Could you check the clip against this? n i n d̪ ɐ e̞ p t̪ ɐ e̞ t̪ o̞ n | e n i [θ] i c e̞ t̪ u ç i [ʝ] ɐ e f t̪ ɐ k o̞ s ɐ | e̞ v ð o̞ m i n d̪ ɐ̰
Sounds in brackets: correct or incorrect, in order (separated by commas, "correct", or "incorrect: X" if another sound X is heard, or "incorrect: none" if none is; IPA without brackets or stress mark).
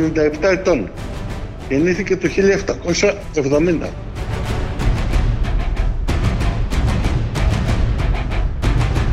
correct, incorrect: ʎ